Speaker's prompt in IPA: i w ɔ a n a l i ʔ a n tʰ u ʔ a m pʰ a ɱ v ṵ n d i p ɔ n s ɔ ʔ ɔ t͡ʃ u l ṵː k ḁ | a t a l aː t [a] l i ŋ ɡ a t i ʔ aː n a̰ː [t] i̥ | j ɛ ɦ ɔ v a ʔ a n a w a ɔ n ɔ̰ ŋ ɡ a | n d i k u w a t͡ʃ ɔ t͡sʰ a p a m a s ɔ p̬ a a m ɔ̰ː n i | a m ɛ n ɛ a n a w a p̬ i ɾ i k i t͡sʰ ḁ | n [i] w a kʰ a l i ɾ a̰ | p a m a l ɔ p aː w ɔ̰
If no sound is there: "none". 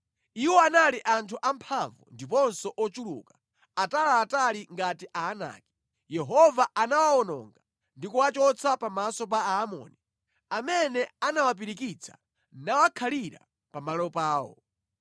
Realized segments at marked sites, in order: a, k, a

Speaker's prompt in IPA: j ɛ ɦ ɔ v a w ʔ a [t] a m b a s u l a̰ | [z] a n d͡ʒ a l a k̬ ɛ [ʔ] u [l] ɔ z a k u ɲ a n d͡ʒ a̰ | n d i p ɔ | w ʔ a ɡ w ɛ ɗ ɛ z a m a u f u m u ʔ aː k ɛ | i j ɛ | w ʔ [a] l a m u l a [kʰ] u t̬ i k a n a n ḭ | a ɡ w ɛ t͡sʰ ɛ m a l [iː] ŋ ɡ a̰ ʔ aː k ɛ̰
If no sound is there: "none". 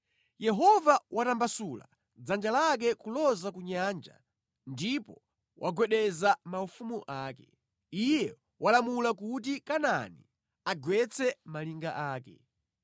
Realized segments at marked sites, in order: t, d͡z, k, l, a, k, i

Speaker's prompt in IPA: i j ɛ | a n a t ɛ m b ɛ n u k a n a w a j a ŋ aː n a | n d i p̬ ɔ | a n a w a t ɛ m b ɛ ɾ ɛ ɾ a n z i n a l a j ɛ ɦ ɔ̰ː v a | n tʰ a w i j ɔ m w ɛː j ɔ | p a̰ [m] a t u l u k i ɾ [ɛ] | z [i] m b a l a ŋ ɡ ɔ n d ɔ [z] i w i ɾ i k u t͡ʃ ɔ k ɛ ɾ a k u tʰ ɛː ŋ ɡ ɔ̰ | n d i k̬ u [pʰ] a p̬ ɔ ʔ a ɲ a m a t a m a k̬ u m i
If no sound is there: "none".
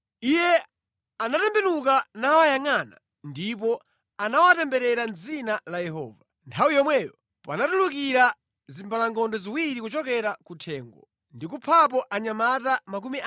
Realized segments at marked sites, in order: n, a, i, z, pʰ

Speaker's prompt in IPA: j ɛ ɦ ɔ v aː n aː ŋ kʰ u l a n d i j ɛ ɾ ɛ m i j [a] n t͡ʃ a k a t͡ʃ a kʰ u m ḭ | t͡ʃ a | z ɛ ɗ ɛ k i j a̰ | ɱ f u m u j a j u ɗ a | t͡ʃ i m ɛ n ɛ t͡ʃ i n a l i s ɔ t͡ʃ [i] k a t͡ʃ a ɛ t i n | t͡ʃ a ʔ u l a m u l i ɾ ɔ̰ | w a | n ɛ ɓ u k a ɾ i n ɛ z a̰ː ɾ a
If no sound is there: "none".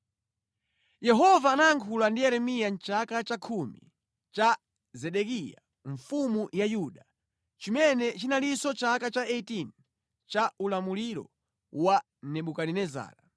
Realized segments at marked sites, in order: a, a

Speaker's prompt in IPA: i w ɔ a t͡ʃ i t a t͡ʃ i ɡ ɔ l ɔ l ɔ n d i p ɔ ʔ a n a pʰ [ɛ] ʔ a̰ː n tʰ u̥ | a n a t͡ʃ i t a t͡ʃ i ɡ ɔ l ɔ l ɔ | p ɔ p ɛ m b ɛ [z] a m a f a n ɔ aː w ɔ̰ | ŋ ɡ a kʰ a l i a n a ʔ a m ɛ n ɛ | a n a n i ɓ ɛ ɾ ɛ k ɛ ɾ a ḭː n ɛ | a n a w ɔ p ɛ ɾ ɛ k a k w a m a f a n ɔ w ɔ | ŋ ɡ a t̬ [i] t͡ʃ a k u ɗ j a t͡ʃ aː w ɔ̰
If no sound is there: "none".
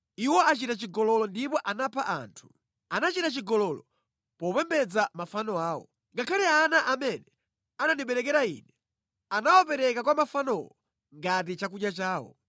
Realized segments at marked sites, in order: a, d͡z, i

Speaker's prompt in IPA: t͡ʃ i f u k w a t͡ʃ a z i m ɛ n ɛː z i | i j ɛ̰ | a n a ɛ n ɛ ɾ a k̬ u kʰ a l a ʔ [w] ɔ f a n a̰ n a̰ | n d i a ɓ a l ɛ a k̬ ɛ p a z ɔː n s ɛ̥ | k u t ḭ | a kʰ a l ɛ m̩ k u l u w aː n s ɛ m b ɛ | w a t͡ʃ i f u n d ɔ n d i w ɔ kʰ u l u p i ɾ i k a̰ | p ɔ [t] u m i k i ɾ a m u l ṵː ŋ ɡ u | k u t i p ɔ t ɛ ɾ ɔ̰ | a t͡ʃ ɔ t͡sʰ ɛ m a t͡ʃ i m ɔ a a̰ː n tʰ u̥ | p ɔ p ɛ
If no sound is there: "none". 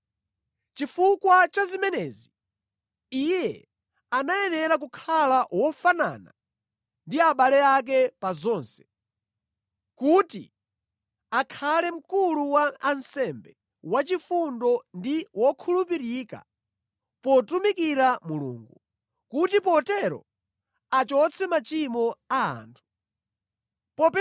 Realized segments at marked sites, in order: w, t

